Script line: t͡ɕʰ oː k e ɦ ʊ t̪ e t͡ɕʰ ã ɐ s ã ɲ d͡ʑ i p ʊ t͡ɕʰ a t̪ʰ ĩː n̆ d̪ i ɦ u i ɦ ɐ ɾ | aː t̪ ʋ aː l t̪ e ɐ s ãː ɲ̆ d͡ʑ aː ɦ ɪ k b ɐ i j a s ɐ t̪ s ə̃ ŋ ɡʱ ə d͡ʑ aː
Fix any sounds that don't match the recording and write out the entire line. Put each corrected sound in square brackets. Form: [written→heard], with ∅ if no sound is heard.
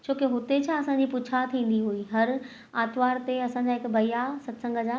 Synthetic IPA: t͡ɕʰ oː k e ɦ ʊ t̪ e t͡ɕʰ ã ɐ s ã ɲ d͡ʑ i p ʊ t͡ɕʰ a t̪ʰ ĩː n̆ d̪ i ɦ u i ɦ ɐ ɾ | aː t̪ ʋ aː [l→ɾ] t̪ e ɐ s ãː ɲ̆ d͡ʑ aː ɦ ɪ k b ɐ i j a s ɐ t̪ s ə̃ ŋ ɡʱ ə d͡ʑ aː